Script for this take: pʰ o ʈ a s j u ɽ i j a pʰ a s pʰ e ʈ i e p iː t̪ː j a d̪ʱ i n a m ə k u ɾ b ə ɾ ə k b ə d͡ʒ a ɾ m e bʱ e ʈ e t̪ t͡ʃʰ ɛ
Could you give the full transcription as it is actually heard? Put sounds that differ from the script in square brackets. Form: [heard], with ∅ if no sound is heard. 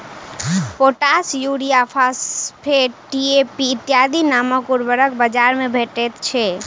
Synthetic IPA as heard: [p] o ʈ a s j u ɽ i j a pʰ a s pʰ e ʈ i e p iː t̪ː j a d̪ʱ i n a m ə k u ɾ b ə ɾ ə k b ə d͡ʒ a ɾ m e bʱ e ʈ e t̪ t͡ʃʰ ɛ